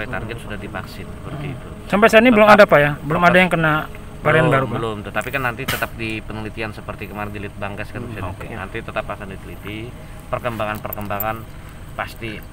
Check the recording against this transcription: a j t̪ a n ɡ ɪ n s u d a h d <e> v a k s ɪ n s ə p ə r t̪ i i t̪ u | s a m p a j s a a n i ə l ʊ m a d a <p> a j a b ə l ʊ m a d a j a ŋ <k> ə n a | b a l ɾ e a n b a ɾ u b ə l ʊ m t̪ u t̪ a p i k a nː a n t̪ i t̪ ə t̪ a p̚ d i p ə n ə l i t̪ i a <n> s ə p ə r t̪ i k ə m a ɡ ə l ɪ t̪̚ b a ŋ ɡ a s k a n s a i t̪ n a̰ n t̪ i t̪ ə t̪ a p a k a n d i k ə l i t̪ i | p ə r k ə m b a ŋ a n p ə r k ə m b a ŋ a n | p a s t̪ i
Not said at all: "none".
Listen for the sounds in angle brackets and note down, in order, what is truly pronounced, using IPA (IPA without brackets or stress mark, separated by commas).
i, p, k, n